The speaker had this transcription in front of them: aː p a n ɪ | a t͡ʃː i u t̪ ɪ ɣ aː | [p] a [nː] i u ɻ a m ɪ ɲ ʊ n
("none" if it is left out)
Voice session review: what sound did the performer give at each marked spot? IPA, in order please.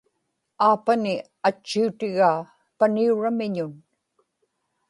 p, n

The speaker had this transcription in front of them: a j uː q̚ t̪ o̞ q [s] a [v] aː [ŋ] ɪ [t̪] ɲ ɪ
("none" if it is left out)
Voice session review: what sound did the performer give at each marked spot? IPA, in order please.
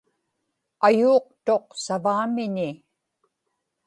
s, v, m, none

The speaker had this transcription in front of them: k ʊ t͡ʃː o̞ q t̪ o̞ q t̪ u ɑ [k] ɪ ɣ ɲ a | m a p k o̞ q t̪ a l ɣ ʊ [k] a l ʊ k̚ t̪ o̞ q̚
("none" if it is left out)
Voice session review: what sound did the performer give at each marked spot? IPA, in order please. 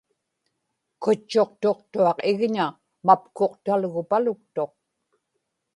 q, p

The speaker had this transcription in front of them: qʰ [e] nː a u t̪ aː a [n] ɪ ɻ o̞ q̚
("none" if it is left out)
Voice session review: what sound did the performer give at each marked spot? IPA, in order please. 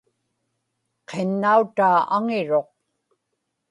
e, ŋ

